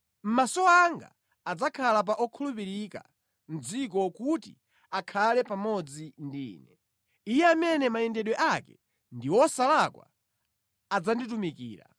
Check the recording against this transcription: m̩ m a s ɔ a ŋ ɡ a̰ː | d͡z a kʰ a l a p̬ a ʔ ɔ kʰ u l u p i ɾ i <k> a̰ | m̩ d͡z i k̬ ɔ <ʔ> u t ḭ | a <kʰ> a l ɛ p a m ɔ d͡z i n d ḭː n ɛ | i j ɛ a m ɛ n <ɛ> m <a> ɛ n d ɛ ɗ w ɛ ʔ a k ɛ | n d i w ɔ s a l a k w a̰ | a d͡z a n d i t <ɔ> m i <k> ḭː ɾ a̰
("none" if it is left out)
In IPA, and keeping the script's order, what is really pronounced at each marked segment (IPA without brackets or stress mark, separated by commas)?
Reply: k, k, kʰ, ɛ, a, u, k